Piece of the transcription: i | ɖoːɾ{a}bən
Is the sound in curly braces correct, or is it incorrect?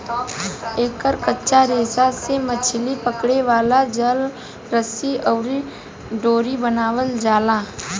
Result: incorrect